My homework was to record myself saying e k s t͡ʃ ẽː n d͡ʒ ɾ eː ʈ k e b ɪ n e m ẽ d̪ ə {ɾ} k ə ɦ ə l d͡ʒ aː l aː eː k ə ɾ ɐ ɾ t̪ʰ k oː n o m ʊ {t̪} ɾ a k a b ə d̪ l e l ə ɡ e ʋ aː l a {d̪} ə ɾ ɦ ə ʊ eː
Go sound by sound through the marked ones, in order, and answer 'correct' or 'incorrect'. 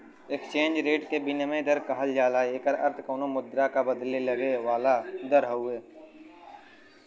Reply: correct, incorrect: d̪, correct

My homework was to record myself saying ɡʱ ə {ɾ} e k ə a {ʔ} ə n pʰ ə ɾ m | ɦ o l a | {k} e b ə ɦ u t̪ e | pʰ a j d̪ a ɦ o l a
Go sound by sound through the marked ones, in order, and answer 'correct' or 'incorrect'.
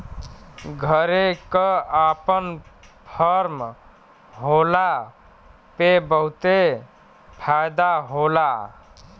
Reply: correct, incorrect: p, incorrect: p

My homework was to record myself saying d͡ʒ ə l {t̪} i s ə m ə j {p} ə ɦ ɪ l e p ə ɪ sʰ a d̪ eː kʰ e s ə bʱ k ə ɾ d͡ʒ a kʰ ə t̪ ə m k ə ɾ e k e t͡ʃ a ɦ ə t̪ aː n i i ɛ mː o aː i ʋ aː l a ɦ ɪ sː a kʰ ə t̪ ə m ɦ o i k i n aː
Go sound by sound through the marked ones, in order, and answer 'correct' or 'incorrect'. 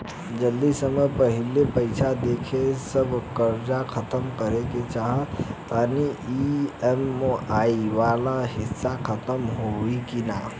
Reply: incorrect: d̪, correct

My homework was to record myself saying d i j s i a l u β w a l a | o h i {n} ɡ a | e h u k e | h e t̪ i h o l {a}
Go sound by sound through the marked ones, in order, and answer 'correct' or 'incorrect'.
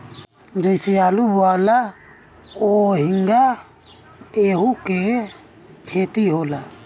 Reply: incorrect: ŋ, correct

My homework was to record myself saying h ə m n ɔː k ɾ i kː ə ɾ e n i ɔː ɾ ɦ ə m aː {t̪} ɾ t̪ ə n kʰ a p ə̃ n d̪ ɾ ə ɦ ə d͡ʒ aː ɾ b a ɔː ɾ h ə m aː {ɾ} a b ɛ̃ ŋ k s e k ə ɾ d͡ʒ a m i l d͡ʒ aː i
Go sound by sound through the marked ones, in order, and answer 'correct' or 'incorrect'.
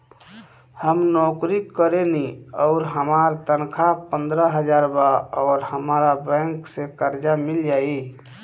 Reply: incorrect: none, correct

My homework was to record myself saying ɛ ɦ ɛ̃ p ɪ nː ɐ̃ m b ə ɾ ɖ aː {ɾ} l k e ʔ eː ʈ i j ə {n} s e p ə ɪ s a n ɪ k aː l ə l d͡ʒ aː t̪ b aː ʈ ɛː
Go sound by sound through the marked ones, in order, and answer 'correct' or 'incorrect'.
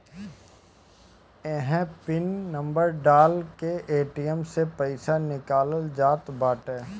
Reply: incorrect: none, incorrect: m

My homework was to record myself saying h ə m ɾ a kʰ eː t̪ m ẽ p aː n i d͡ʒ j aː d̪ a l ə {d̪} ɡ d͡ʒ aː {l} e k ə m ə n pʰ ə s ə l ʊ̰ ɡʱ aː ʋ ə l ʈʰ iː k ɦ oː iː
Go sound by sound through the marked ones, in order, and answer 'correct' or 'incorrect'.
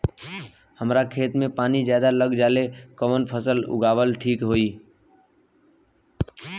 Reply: incorrect: none, correct

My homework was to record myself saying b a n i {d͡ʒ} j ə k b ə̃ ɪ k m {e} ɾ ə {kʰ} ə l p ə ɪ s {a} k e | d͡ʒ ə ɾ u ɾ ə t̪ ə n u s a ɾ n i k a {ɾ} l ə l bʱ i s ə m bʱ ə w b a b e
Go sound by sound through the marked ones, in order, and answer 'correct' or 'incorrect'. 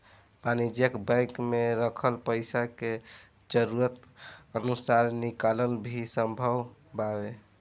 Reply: correct, correct, correct, correct, incorrect: none

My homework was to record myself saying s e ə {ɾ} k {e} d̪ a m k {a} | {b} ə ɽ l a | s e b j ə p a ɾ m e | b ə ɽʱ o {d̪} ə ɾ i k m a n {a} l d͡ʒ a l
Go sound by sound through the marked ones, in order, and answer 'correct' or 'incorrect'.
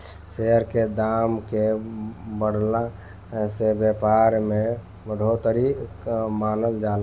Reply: correct, correct, incorrect: e, correct, incorrect: t̪, incorrect: ə

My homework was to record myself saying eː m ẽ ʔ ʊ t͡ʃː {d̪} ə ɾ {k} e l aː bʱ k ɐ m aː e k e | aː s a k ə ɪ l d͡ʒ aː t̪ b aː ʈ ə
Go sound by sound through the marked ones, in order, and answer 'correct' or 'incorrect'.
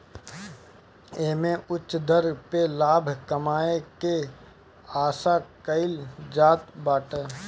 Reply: correct, incorrect: p

